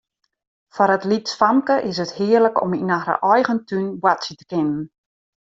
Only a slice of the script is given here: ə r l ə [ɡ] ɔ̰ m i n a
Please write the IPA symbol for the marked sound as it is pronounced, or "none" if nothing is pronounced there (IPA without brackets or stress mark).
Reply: k